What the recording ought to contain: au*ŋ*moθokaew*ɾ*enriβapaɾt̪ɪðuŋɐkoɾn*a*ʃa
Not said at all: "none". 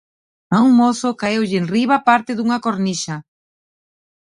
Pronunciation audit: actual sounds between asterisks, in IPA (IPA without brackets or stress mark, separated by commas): ŋ, ʎ, i